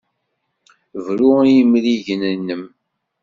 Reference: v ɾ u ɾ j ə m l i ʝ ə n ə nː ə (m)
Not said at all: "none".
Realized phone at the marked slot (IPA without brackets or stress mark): m